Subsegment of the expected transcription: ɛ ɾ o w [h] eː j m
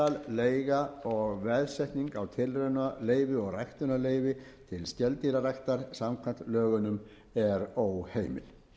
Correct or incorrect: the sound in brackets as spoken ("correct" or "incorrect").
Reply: correct